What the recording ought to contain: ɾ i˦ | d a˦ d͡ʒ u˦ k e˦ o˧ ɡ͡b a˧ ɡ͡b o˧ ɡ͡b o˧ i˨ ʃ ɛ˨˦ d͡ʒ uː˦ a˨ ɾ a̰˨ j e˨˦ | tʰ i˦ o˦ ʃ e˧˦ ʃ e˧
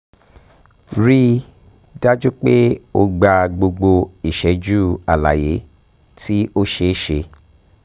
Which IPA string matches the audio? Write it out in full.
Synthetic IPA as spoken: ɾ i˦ | d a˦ d͡ʒ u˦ k͡p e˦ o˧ ɡ͡b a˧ ɡ͡b o˧ ɡ͡b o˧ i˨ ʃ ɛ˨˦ d͡ʒ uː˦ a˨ l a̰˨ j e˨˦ | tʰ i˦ o˦ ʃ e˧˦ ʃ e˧